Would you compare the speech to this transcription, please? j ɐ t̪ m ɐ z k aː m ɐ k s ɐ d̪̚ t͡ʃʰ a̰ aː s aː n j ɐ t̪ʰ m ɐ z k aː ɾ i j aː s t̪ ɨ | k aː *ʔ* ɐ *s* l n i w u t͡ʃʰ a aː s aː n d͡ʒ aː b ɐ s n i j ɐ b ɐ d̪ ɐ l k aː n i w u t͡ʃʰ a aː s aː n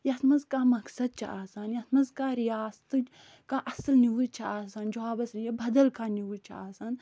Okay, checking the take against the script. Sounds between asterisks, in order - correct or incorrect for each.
correct, correct

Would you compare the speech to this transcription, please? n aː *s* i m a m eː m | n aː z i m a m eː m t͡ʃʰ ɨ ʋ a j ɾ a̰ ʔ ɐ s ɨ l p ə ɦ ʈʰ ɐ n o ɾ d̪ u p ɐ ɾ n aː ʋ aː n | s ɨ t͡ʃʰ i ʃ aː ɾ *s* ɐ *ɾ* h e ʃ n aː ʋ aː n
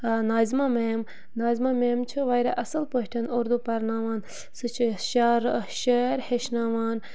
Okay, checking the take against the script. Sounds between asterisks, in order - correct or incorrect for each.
incorrect, incorrect, correct

